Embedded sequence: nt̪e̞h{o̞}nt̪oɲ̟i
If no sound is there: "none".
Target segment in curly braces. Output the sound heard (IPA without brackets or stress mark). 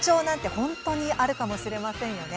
õ̞